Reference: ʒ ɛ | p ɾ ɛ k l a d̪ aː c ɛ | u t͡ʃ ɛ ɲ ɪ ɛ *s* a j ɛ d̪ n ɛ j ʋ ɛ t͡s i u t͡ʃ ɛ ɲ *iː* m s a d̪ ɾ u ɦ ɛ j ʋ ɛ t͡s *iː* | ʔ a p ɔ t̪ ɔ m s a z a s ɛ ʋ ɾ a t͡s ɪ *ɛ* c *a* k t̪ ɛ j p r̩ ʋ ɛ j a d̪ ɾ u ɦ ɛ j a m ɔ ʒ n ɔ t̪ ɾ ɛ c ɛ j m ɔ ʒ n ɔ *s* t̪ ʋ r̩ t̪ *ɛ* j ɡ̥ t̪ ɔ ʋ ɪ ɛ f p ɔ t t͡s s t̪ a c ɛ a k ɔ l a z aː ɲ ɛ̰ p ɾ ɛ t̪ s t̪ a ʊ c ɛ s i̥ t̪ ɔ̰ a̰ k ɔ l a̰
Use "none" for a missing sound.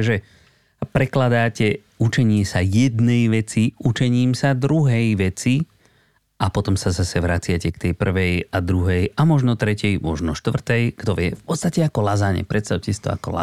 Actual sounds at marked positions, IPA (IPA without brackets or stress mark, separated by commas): s, iː, i, a, ɛ, ʃ, ɛ